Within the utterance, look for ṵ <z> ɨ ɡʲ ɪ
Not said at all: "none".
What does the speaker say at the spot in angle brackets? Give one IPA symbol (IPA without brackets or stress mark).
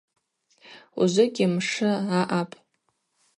z